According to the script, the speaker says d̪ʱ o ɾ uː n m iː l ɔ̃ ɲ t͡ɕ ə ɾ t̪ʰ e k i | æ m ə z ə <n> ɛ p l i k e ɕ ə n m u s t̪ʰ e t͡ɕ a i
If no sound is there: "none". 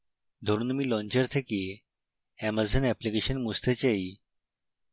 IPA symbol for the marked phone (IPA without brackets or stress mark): n